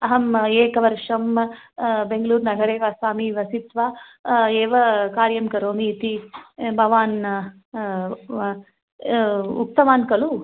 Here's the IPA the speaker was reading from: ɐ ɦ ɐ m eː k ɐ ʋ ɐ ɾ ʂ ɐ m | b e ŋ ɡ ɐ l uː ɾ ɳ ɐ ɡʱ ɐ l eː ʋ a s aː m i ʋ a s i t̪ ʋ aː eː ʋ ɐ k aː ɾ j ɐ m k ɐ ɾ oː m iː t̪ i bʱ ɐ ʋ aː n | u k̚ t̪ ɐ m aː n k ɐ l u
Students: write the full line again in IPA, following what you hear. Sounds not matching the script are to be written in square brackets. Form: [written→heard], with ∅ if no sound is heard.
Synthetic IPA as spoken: ɐ ɦ ɐ m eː k ɐ ʋ ɐ ɾ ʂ ɐ m | b e ŋ ɡ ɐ l uː ɾ [ɳ→n] ɐ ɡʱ ɐ [l→ɾ] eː ʋ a s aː m i ʋ [a→ɐ] s i t̪ ʋ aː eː ʋ ɐ k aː ɾ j ɐ m k ɐ ɾ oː m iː t̪ i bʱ ɐ ʋ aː n | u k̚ t̪ ɐ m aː n k ɐ l u